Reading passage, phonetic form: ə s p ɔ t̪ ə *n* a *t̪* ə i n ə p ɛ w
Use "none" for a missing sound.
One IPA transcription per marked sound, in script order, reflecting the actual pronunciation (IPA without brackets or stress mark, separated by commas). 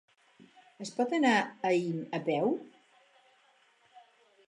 n, none